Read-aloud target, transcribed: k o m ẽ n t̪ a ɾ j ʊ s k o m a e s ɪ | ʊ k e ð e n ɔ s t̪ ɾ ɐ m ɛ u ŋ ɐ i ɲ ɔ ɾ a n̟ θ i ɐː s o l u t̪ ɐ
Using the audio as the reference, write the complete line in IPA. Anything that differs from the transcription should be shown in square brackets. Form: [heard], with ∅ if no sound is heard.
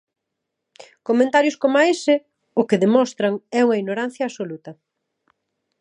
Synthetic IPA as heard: k o m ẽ n t̪ a ɾ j ʊ s k o m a e s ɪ | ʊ k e ð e [m] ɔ s t̪ ɾ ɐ [ŋ] ɛ u ŋ ɐ i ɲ [o] ɾ a n̟ θ [j] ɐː s o l u t̪ ɐ